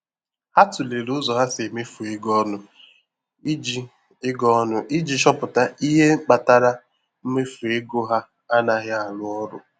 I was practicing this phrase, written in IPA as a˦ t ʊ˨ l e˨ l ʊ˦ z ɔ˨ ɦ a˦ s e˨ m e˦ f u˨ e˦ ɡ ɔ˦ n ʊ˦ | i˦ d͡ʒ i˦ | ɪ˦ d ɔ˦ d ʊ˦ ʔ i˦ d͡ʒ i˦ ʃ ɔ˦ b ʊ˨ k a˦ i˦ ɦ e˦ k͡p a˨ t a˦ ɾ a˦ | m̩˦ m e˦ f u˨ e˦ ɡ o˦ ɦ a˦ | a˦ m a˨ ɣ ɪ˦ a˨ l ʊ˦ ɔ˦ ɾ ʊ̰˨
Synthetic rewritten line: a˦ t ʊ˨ l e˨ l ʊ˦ z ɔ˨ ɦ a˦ s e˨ m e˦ f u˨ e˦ ɡ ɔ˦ n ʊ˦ | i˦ d͡ʒ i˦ | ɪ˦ ɡ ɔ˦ n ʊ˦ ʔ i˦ d͡ʒ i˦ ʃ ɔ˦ p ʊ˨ t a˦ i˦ ɦ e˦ k͡p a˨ t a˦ ɾ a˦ | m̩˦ m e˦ f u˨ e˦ ɡ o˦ ɦ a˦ | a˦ n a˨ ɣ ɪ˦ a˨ l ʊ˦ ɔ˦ ɾ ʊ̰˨